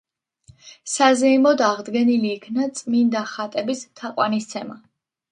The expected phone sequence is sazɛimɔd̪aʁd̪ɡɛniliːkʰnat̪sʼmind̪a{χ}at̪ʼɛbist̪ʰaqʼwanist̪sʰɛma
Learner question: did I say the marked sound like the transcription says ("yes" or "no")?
yes